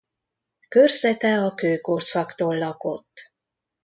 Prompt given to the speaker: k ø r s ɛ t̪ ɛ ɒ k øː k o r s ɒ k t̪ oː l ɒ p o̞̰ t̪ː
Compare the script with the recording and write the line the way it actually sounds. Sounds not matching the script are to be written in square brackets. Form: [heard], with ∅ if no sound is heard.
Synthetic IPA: k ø r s ɛ t̪ ɛ ɒ k øː k o r s ɒ k t̪ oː [lː] ɒ [k] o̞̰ t̪ː